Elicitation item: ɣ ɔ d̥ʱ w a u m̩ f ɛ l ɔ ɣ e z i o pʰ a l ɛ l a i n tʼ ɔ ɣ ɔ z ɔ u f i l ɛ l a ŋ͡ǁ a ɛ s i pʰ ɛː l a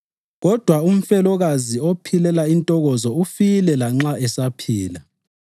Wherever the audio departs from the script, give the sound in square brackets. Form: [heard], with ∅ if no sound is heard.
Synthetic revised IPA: ɣ ɔ d̥ʱ w a u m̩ f ɛ l ɔ ɣ [a] z i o pʰ [i] l ɛ l a i n tʼ ɔ ɣ ɔ z ɔ u f i l ɛ l a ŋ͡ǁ a ɛ s [a] pʰ [iː] l a